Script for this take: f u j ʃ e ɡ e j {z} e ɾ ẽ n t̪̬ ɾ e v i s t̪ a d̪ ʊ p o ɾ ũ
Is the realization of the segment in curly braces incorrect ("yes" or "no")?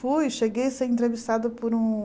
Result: yes